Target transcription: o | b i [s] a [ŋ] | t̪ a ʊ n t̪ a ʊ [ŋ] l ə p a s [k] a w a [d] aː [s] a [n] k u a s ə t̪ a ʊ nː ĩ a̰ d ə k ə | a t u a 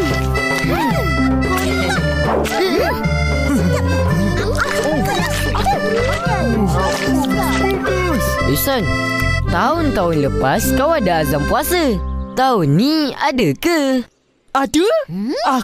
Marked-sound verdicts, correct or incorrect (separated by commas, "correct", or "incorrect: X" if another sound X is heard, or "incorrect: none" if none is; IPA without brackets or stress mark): correct, incorrect: n, incorrect: n, correct, correct, incorrect: z, incorrect: m